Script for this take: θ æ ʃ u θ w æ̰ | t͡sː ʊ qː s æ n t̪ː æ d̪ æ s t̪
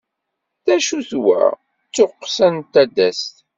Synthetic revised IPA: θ æ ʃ u θ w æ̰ | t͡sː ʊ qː s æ n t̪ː æ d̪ æ s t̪